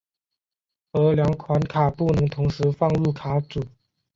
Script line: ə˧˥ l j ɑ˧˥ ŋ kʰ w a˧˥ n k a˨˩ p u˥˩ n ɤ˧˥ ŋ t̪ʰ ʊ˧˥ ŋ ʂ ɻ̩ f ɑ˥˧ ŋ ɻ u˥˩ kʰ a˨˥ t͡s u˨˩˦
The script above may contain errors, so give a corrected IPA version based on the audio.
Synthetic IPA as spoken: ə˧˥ l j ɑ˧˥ ŋ kʰ w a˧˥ n kʰ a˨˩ p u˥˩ n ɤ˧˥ ŋ t̪ʰ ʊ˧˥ ŋ ʂ ɻ̩ f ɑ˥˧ ŋ ɻ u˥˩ kʰ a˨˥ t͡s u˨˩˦

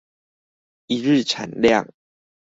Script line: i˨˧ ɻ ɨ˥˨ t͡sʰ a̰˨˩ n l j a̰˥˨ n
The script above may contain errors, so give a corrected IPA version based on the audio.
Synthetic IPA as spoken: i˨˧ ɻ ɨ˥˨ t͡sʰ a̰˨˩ n l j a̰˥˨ ŋ

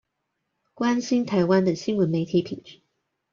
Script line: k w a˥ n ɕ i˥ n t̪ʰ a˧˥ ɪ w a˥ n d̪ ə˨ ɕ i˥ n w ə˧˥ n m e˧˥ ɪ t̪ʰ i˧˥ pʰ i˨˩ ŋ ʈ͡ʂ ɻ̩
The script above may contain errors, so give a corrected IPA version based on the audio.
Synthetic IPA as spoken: k w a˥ n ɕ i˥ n t̪ʰ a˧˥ ɪ w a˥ n d̪ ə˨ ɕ i˥ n w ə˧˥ n m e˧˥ ɪ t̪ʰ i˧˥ pʰ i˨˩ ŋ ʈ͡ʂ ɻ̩

